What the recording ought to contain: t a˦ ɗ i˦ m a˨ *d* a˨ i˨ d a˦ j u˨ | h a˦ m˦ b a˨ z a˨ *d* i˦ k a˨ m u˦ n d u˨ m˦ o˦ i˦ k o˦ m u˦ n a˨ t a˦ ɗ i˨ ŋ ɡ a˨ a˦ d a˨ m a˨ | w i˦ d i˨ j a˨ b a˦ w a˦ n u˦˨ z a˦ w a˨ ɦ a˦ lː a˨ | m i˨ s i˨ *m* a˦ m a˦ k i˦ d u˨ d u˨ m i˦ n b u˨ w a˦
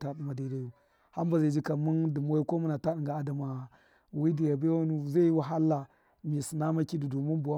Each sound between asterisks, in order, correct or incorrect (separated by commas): correct, incorrect, incorrect